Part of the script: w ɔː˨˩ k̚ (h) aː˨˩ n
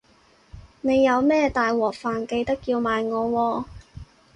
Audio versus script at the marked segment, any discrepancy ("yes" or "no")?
yes